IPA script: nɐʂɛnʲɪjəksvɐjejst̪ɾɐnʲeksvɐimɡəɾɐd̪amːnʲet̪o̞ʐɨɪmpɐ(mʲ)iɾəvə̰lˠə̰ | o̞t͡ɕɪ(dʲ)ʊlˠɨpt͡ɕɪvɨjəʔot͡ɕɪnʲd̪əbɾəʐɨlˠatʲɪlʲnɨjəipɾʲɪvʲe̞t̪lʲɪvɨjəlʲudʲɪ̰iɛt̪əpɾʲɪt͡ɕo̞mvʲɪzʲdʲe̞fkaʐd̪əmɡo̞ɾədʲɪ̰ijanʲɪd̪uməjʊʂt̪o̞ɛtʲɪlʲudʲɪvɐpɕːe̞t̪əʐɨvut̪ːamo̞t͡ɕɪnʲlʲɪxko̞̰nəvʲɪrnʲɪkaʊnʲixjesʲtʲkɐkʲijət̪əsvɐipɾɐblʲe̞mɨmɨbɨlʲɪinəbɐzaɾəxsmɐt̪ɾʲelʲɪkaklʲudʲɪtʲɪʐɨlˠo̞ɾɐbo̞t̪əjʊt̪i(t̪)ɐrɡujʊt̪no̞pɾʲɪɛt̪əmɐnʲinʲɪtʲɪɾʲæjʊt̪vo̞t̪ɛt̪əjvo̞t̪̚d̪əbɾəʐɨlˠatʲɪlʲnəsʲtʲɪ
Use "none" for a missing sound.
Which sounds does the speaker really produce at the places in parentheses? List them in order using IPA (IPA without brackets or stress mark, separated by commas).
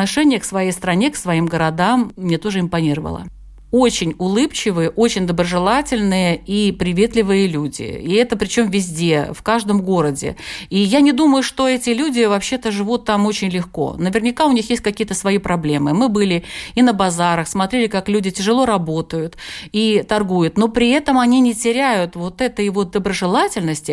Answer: nʲ, nʲ, t̪